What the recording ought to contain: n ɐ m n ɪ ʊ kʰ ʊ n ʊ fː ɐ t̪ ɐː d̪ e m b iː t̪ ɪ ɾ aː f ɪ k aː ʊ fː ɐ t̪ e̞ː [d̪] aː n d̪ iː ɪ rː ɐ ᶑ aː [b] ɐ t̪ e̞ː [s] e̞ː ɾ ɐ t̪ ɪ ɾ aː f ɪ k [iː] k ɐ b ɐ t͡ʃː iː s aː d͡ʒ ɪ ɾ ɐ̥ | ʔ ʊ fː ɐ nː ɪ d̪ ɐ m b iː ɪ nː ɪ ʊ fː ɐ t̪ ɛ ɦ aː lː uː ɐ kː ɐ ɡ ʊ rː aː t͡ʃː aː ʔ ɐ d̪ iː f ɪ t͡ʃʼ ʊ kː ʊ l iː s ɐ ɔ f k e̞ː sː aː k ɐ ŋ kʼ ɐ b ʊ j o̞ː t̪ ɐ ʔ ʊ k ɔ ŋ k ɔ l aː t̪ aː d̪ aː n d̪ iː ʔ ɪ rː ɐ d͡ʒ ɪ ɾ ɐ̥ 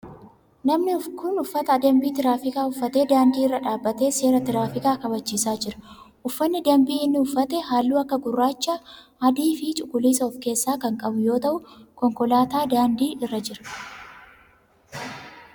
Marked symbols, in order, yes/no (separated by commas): yes, no, yes, no